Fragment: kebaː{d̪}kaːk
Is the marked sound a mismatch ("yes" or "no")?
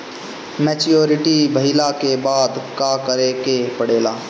no